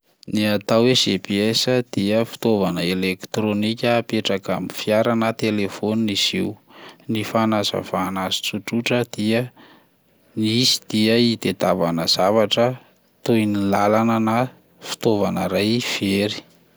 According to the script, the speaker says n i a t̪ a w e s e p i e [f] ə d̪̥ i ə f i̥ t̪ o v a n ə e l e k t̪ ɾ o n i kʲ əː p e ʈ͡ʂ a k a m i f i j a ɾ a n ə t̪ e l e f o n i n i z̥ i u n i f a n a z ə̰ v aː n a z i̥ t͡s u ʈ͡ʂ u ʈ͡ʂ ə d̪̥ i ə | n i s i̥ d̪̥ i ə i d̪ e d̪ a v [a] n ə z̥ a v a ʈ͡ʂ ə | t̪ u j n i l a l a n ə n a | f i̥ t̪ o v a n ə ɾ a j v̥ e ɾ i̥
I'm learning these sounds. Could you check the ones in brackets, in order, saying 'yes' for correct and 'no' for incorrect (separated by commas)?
no, yes